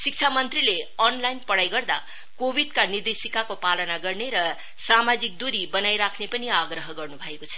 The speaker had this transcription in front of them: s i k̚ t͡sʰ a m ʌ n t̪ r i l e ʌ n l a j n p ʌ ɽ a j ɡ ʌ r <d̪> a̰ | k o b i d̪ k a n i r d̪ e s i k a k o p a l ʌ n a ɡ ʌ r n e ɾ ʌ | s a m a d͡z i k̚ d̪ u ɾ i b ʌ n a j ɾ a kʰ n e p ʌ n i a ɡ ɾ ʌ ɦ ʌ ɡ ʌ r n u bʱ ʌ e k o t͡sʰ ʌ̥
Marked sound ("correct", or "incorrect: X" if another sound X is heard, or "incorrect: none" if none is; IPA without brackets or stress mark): correct